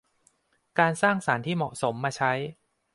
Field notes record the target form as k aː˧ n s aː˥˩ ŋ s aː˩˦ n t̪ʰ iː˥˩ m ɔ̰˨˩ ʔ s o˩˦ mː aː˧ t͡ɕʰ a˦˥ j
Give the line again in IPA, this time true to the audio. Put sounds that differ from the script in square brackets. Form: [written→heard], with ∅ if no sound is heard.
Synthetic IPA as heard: k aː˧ n s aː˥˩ ŋ s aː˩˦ n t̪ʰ iː˥˩ m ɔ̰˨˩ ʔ s o˩˦ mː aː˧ t͡ɕʰ a˦˥ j